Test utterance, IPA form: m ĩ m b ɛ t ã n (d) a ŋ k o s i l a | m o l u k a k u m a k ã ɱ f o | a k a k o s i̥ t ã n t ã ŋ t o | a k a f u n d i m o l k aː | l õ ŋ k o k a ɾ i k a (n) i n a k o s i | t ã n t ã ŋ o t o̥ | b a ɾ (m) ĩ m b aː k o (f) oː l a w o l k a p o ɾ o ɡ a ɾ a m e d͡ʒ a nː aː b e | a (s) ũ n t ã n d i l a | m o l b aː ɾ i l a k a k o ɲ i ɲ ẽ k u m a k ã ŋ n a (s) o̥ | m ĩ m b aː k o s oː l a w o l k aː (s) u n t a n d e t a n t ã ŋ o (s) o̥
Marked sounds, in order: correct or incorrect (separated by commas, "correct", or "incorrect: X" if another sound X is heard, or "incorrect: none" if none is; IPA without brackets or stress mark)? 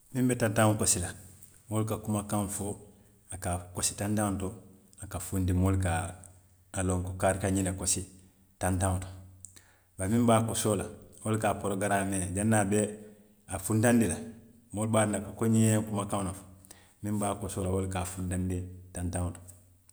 incorrect: t, incorrect: ɲ, correct, incorrect: s, incorrect: f, incorrect: f, incorrect: f, incorrect: t